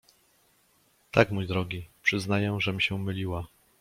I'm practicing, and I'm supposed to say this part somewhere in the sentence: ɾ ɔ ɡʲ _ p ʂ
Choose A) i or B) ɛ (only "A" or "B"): A